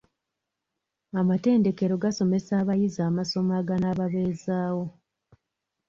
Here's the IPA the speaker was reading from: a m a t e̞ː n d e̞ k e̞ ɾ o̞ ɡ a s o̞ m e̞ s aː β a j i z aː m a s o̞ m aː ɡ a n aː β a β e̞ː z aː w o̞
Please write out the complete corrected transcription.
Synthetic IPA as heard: a m a t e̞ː n d e̞ k e̞ ɾ o̞ ɡ a s o̞ m e̞ s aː β a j i z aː m a s o̞ m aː ɡ a n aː β a β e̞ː z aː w o̞